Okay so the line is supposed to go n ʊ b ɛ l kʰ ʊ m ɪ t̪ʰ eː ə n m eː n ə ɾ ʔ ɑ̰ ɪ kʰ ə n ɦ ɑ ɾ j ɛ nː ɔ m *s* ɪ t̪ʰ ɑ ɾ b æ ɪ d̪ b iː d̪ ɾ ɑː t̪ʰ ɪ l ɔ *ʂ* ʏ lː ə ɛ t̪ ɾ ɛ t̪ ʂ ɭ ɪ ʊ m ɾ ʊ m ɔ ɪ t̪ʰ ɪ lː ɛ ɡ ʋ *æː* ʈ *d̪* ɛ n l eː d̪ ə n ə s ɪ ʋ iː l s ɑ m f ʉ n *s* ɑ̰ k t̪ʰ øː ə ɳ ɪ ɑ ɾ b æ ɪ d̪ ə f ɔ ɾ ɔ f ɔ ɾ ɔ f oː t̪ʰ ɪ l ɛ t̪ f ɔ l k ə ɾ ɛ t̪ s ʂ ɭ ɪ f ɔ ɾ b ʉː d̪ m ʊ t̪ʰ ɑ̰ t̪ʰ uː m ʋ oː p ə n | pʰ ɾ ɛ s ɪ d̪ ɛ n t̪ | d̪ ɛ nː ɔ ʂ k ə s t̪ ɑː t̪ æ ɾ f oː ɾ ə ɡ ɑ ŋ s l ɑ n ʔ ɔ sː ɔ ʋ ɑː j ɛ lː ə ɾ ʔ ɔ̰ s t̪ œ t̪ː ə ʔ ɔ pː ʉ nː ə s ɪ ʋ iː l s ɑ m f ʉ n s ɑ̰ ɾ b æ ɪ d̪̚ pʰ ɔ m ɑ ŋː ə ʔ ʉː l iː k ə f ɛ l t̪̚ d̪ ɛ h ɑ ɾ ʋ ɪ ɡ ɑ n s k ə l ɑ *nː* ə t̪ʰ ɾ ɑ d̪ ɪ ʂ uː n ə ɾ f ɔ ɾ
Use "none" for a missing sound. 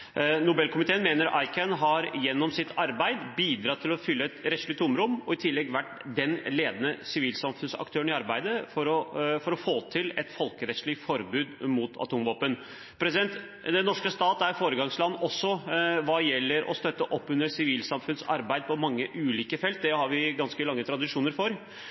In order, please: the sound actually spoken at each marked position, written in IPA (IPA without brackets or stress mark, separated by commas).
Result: s, f, æ, d̪, s, ŋː